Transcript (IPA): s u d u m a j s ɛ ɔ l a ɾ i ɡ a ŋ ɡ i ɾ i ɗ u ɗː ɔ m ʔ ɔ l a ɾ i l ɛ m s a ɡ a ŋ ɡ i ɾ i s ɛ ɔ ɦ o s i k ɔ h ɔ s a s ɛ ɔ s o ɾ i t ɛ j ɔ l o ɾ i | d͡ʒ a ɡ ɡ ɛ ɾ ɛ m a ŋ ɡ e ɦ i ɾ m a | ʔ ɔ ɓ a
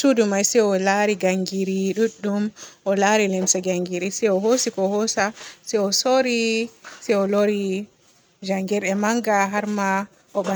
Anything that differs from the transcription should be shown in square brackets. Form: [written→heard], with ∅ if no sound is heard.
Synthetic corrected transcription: s u d u m a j s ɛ ɔ l a ɾ i ɡ a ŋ ɡ i ɾ i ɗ u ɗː [ɔ→u] m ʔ ɔ l a ɾ i l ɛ m s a ɡ a ŋ ɡ i ɾ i s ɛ ɔ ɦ o s i k ɔ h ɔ s a s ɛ ɔ s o ɾ i [t→s] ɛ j ɔ l o ɾ i | d͡ʒ a [ɡ→ŋ] ɡ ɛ ɾ ɛ m a ŋ ɡ [e→a] ɦ [i→a] ɾ m a | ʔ ɔ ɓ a